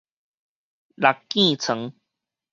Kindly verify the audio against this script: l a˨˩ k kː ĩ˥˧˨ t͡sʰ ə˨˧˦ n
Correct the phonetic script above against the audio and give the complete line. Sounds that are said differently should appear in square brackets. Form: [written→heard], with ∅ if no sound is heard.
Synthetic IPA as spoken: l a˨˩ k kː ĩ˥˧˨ t͡sʰ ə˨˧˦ [n→ŋ]